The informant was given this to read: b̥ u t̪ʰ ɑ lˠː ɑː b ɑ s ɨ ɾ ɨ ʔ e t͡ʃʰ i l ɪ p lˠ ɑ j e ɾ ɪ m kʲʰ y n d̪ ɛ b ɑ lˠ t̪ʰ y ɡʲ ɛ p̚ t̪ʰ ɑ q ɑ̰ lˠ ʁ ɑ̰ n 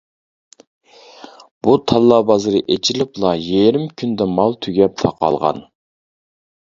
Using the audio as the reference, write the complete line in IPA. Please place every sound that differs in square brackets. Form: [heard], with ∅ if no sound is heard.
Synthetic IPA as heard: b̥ u t̪ʰ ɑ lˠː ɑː b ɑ [z] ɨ ɾ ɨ ʔ e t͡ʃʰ i l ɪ p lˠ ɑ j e ɾ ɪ m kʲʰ y n d̪ ɛ [m] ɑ lˠ t̪ʰ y ɡʲ ɛ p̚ t̪ʰ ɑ q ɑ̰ lˠ ʁ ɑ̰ n